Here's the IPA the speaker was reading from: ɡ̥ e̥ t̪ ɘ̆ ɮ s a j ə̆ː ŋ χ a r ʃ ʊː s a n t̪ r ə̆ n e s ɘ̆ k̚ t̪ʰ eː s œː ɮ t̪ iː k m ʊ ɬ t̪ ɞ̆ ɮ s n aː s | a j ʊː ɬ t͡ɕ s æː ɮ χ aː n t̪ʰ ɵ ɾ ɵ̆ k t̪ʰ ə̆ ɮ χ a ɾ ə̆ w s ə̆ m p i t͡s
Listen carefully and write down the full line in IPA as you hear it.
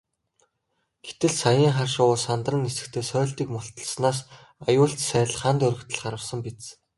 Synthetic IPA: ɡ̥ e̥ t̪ ɘ̆ ɮ s a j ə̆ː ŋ χ a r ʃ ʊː s a n t̪ r ə̆ n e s ɘ̆ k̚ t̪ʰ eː s œː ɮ t̪ iː k m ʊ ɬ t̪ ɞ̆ ɮ s n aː s | a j ʊː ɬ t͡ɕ s æː ɮ χ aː n t̪ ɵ ɾ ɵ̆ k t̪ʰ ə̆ ɮ χ a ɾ ə̆ w s ə̆ m p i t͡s